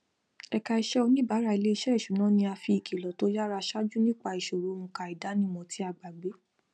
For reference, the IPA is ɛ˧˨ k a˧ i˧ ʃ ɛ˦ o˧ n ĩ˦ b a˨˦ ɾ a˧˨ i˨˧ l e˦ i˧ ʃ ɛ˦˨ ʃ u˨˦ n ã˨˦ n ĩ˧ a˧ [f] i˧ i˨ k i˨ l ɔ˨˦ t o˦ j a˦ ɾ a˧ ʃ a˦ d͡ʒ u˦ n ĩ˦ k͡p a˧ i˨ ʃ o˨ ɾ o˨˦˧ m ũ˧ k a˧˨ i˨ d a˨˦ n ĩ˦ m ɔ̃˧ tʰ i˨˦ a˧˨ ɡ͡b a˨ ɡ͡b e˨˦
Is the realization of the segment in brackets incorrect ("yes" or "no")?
no